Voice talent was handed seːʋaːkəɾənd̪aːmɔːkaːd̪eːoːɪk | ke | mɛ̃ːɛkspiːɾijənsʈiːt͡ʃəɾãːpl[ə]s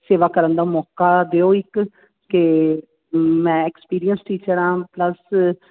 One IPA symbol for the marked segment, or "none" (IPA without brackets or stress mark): ə